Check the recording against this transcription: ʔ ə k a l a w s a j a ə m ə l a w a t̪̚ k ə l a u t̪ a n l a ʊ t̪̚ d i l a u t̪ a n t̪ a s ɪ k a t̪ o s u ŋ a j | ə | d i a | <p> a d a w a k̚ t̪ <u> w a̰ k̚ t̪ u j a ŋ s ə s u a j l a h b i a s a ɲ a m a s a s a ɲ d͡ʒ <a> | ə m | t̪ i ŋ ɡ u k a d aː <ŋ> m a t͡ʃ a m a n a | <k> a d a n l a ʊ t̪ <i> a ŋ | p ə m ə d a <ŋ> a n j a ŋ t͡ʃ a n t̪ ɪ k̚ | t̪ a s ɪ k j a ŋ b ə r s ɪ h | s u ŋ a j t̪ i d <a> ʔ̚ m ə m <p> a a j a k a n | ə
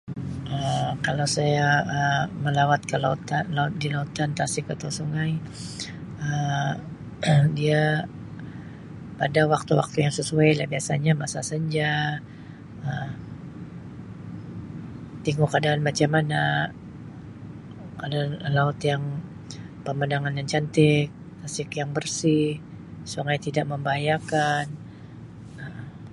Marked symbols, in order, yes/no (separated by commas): yes, yes, yes, no, yes, no, yes, yes, no